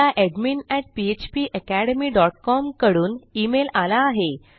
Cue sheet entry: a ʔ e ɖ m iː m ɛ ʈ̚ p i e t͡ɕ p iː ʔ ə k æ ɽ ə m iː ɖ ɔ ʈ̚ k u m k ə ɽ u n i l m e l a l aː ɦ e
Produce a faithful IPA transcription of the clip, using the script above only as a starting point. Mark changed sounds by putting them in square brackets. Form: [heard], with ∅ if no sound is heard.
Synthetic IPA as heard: a ʔ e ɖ m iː [n] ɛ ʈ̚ p i e t͡ɕ p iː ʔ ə k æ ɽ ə m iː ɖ ɔ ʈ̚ k [ɔ] m k ə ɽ [uː] n i [∅] m e l a l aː ɦ e